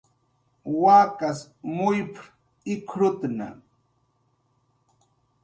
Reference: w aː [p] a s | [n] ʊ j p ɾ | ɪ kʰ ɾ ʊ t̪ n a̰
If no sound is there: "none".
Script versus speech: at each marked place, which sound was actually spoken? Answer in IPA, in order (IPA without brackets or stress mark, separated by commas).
k, m